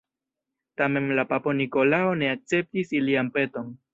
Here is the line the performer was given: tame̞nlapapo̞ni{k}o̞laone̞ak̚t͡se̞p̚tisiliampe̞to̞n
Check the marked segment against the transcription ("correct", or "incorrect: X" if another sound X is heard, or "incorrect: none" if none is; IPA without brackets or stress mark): correct